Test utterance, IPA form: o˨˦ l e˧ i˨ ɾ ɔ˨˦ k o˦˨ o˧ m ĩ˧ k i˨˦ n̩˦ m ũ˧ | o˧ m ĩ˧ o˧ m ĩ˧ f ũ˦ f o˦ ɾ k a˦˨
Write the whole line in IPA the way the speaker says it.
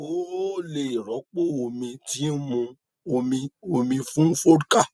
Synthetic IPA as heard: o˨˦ l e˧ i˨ ɾ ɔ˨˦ k͡p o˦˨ o˧ m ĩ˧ t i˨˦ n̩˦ m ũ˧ | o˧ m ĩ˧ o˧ m ĩ˧ f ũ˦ f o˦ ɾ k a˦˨